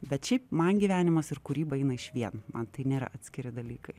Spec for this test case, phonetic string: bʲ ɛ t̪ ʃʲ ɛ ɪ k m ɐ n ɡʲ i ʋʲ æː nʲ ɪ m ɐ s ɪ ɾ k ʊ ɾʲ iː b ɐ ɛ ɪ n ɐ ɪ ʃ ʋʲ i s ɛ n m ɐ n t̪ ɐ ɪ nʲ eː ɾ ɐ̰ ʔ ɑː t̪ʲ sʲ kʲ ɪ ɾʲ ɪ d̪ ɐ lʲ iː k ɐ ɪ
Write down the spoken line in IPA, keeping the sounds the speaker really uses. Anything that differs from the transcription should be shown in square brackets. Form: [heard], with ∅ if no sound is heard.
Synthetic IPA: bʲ ɛ t̪ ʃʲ ɛ ɪ [p] m ɐ n ɡʲ i ʋʲ æː nʲ ɪ m ɐ s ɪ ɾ k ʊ ɾʲ iː b ɐ ɛ ɪ n ɐ ɪ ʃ ʋʲ i [∅] ɛ n m ɐ n t̪ ɐ ɪ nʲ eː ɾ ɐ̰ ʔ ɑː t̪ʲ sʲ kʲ ɪ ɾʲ ɪ d̪ ɐ lʲ iː k ɐ ɪ